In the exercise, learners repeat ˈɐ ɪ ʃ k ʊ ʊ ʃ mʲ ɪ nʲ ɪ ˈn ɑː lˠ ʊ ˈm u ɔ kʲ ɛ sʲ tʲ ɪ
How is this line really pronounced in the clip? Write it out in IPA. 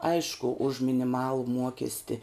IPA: ˈɐ ɪ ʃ k ʊ ʊ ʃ mʲ ɪ nʲ ɪ ˈm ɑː lˠ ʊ ˈm u ɔ kʲ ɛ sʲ tʲ ɪ